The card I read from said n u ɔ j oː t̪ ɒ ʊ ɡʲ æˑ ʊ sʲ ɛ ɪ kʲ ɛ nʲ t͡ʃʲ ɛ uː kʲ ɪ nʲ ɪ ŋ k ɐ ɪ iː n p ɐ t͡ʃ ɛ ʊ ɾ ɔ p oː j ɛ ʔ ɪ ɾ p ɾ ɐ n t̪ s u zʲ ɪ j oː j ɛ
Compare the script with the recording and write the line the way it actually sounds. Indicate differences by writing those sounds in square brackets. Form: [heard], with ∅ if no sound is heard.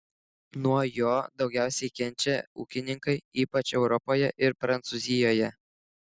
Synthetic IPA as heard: n u ɔ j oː [d̪] ɒ ʊ ɡʲ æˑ ʊ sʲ ɛ ɪ kʲ ɛ nʲ t͡ʃʲ ɛ uː kʲ ɪ nʲ ɪ ŋ k ɐ ɪ iː [∅] p ɐ t͡ʃ ɛ ʊ ɾ ɔ p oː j ɛ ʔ ɪ ɾ p ɾ ɐ n t̪ s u zʲ ɪ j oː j ɛ